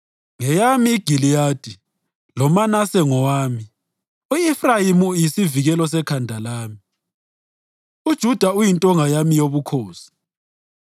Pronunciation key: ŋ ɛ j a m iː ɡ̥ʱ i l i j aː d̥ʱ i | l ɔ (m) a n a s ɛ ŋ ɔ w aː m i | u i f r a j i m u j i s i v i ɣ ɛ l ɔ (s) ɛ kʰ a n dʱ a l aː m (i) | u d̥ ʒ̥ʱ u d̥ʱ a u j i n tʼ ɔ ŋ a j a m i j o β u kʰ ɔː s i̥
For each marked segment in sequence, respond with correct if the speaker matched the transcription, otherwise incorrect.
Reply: correct, correct, correct

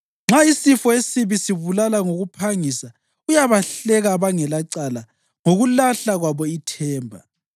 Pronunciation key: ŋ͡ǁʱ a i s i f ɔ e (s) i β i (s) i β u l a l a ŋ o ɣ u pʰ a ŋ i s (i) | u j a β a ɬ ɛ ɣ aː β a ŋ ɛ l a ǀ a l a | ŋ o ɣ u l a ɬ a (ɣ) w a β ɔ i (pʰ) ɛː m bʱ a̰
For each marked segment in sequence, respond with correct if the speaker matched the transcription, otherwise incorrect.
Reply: correct, correct, incorrect: a, correct, incorrect: tʰ

